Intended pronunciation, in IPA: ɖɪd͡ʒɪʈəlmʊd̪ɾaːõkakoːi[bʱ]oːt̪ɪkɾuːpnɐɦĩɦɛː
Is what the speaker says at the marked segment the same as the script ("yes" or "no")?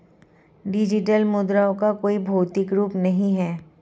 yes